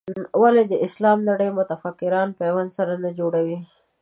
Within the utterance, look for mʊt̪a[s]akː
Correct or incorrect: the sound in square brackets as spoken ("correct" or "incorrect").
incorrect